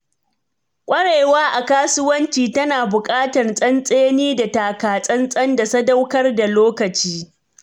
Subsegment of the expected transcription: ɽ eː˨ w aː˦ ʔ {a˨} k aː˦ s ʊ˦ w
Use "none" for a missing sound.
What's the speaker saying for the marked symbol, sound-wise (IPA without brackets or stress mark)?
a˨